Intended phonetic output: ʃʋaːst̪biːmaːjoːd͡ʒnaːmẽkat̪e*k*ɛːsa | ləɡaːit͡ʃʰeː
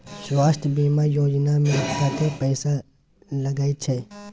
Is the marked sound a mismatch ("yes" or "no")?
yes